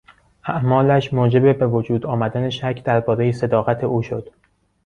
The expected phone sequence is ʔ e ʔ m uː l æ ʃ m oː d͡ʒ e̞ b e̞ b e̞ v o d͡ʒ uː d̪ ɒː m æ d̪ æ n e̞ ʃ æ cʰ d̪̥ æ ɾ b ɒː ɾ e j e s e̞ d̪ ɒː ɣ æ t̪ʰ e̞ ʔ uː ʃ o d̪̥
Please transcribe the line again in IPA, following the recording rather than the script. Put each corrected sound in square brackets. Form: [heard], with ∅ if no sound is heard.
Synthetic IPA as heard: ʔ [æ] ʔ m [ɒː] l æ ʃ m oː d͡ʒ e̞ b e̞ b e̞ v o d͡ʒ uː d̪ ɒː m æ d̪ æ n e̞ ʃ æ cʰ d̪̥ æ ɾ b ɒː ɾ e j e s e̞ d̪ ɒː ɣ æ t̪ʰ e̞ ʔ uː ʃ o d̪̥